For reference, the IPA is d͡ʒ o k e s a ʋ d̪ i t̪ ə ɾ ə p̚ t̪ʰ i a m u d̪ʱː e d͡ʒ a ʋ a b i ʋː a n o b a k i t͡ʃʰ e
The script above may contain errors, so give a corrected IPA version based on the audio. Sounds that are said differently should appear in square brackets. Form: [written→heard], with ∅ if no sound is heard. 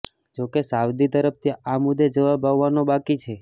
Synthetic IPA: d͡ʒ o k e s a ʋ d̪ i t̪ ə ɾ ə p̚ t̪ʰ i a m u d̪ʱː e d͡ʒ [a→ə] ʋ a b [i→a] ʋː a n o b a k i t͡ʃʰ e